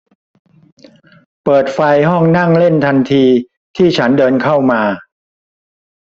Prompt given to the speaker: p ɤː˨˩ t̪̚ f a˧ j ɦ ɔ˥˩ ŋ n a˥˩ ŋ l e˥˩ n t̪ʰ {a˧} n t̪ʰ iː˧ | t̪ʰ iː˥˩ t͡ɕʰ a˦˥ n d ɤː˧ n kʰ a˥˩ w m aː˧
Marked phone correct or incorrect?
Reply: correct